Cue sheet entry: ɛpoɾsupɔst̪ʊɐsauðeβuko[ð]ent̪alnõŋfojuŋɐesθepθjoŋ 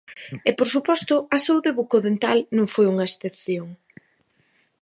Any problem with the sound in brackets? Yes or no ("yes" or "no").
no